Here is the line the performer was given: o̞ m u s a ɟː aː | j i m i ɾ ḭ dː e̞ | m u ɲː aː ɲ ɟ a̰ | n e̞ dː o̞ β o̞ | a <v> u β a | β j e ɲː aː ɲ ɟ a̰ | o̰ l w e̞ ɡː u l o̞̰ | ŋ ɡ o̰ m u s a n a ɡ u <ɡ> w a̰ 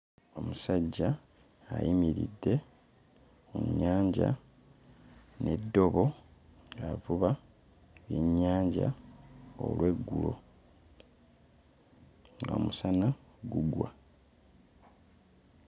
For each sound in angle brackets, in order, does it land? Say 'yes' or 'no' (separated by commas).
yes, yes